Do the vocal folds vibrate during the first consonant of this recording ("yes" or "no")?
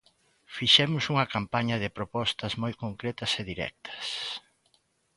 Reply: no